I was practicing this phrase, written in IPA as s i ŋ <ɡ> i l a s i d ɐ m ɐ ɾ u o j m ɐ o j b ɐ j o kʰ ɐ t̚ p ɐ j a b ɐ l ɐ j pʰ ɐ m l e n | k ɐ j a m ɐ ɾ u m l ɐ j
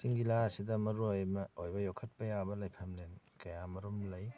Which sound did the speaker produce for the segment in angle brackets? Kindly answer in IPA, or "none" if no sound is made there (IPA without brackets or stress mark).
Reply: ɡ